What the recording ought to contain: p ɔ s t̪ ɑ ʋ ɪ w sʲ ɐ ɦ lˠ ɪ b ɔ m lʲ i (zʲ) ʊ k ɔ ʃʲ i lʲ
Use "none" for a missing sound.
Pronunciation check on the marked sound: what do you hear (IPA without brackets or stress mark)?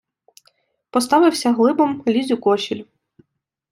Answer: zʲ